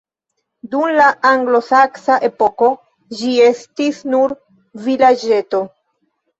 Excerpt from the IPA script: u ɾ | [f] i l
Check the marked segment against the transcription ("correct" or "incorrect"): incorrect